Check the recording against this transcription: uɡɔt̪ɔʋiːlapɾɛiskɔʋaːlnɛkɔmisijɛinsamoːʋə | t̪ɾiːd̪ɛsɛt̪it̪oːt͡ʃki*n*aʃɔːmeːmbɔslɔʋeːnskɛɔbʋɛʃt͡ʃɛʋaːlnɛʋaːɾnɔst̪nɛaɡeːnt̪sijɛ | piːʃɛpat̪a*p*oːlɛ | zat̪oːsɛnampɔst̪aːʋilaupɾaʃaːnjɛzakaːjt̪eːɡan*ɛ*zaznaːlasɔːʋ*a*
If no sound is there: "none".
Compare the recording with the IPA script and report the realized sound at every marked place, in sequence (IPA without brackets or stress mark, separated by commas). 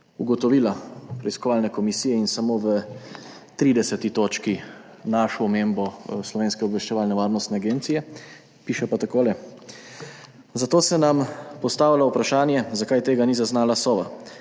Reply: n, k, i, a